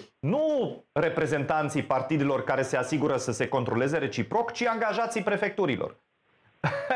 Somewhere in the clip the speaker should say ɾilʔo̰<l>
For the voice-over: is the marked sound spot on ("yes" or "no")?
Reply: no